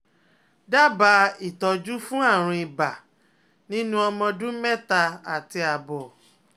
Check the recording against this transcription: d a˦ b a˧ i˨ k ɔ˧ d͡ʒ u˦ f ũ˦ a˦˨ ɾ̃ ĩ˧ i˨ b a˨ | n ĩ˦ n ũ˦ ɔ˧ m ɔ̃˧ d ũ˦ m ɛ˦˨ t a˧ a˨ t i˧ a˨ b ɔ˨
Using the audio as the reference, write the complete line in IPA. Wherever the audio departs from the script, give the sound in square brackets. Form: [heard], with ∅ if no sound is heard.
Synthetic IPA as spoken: d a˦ b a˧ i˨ [t] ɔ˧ d͡ʒ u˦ f ũ˦ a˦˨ ɾ̃ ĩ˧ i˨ b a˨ | n ĩ˦ n ũ˦ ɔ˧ m ɔ̃˧ d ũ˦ m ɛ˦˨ t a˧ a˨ t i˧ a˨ b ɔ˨